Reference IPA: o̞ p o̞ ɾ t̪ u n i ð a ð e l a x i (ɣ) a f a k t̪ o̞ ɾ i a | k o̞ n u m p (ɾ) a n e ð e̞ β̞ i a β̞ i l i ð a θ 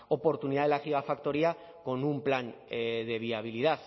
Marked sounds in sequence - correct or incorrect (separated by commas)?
correct, incorrect